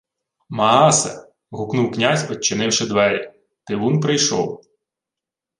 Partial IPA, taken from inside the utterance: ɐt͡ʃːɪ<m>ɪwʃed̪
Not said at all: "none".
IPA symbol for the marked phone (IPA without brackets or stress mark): n